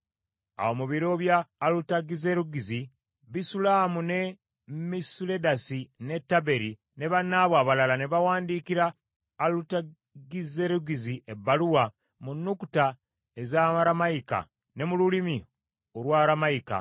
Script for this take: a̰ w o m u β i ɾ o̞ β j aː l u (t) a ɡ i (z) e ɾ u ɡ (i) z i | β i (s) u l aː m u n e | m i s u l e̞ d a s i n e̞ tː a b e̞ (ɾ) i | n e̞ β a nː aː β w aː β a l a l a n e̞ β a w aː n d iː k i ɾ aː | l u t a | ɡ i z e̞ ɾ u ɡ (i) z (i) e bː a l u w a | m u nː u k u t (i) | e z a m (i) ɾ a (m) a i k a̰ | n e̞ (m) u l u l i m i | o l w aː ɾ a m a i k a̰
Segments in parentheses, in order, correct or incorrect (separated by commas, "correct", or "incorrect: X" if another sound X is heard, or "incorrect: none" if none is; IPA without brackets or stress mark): correct, correct, correct, correct, correct, correct, correct, incorrect: a, incorrect: a, correct, correct